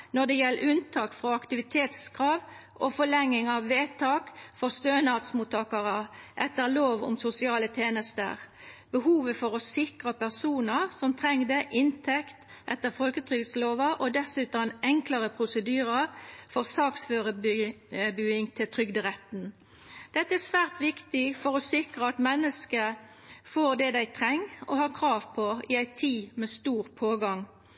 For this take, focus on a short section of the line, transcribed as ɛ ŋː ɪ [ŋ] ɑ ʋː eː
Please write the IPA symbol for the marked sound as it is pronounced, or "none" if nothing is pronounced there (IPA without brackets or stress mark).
ŋ